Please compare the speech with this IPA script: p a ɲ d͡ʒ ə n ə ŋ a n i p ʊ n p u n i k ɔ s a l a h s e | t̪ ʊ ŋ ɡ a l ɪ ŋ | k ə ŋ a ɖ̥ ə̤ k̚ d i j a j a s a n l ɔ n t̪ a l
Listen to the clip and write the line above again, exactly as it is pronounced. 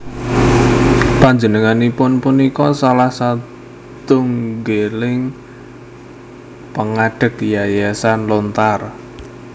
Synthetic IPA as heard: p a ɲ d͡ʒ ə n ə ŋ a n i p ʊ n p u n i k ɔ s a l a h s a | t̪ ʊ ŋ ɡ e l ɪ ŋ | p ə ŋ a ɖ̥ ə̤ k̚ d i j a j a s a n l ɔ n t̪ a r